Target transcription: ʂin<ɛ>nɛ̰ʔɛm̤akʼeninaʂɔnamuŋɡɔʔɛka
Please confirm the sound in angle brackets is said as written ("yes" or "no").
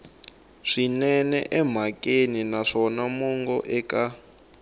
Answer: yes